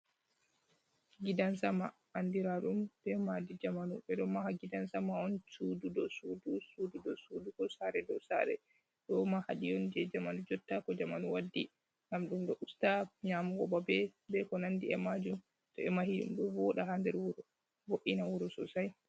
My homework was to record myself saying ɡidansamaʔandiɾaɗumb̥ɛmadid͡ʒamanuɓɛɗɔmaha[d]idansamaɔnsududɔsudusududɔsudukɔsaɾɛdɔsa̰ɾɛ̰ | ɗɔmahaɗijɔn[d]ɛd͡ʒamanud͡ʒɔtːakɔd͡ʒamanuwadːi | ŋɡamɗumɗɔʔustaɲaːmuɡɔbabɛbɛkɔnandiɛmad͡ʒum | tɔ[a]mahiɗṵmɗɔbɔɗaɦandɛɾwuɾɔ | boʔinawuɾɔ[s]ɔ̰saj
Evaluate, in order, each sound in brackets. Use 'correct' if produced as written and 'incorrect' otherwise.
incorrect, incorrect, incorrect, correct

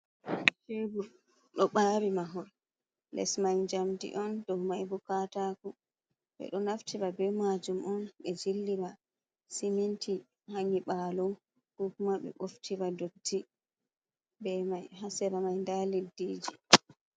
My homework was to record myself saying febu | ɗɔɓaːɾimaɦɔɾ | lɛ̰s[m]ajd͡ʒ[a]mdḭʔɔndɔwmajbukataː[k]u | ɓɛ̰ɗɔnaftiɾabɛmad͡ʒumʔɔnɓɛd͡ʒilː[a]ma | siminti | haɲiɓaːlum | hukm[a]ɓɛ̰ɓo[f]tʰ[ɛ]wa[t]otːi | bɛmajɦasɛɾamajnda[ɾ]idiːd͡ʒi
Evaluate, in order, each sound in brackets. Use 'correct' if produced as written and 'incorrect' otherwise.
correct, correct, correct, incorrect, correct, correct, incorrect, incorrect, incorrect

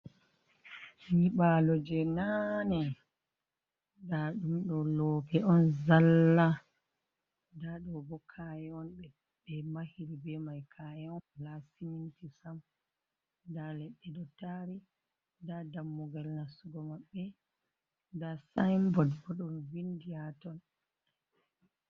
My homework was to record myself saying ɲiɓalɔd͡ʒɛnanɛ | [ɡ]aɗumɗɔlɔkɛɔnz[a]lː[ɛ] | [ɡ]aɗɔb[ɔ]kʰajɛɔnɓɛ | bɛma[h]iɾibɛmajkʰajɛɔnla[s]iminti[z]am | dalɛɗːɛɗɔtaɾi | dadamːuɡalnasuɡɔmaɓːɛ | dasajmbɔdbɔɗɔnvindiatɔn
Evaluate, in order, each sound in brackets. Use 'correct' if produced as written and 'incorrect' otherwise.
incorrect, correct, incorrect, incorrect, correct, correct, correct, incorrect

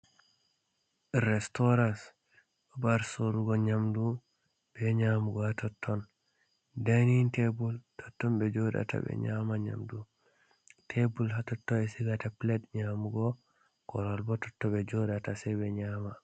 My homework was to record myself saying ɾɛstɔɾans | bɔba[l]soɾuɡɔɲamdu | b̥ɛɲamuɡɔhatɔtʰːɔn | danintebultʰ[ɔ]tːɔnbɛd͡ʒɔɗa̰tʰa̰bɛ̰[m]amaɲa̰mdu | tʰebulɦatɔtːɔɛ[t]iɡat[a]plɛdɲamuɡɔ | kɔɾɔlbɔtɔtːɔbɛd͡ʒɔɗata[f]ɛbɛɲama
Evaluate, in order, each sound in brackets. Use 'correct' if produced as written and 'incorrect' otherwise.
incorrect, correct, incorrect, incorrect, correct, incorrect

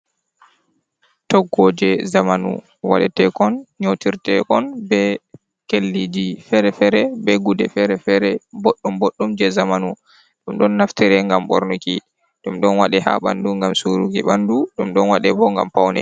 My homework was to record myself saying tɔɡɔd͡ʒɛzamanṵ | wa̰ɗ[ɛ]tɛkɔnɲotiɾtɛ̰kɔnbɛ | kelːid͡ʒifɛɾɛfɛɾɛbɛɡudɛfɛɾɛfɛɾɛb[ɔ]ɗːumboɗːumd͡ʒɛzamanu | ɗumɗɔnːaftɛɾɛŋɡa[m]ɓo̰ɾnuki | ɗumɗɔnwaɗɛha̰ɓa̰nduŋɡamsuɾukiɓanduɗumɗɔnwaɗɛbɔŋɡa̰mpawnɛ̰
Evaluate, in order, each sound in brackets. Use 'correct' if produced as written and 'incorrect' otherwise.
correct, incorrect, correct

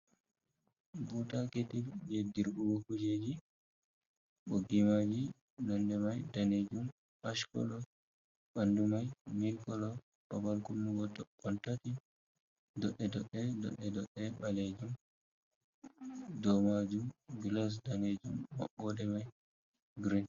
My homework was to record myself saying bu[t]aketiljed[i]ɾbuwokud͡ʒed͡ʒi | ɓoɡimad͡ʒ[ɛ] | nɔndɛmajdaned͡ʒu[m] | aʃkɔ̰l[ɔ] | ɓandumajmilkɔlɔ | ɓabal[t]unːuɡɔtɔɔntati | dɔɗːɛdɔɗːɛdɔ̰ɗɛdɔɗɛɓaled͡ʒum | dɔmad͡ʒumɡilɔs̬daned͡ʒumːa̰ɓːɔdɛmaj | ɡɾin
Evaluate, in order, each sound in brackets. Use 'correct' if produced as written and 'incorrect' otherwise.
correct, correct, incorrect, correct, correct, incorrect

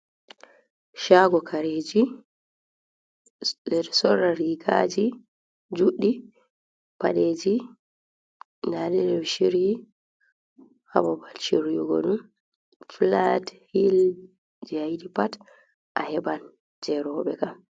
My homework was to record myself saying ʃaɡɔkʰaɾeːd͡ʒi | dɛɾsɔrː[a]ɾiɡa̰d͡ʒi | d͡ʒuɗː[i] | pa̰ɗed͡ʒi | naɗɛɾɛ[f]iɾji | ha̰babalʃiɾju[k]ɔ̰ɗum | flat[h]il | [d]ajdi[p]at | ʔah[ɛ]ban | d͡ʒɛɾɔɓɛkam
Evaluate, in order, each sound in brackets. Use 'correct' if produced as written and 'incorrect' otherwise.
correct, correct, incorrect, incorrect, correct, incorrect, correct, correct

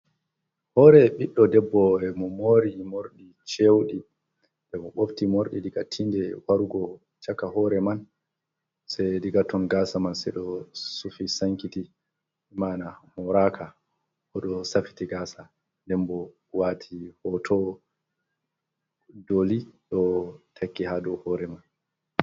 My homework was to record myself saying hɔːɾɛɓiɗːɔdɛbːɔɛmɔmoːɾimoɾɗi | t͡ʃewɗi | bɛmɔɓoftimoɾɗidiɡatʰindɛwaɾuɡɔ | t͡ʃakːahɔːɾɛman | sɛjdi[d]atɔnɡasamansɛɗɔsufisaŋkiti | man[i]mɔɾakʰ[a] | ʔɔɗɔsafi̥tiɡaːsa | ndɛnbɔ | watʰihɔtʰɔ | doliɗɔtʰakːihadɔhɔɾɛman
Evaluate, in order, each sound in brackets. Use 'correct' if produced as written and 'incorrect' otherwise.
incorrect, incorrect, correct

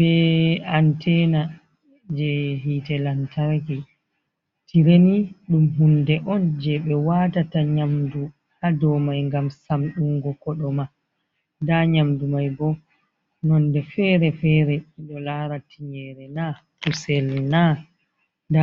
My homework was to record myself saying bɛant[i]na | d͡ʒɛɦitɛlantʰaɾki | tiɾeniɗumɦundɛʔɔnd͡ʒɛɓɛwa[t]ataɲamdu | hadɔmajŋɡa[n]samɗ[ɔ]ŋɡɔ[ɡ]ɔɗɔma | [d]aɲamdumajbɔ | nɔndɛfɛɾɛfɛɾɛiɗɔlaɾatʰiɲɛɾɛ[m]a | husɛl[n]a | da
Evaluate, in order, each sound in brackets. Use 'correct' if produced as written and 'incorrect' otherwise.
incorrect, correct, incorrect, incorrect, incorrect, correct, incorrect, correct

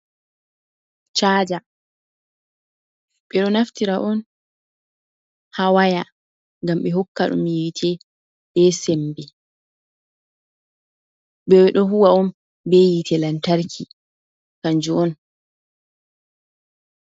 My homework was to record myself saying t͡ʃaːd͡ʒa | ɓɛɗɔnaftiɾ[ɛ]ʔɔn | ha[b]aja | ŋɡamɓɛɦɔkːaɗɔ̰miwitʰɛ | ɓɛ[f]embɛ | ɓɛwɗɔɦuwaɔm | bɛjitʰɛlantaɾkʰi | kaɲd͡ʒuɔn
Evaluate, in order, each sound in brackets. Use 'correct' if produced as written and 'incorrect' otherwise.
incorrect, incorrect, incorrect

